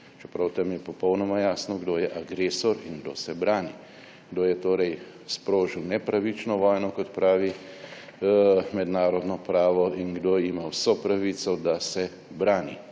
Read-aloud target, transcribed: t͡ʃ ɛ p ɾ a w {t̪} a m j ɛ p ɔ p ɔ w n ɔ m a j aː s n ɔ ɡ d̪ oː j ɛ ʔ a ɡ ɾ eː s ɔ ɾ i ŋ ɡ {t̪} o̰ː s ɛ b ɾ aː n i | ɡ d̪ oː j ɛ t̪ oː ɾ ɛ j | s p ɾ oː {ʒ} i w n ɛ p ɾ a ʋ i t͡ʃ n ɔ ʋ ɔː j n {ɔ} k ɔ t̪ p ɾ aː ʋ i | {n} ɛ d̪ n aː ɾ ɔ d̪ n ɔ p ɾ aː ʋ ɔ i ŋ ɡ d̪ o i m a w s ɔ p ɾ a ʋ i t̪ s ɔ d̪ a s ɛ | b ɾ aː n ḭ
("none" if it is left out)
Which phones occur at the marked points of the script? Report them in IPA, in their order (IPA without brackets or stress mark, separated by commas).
t̪, d̪, ʒ, ɔ, m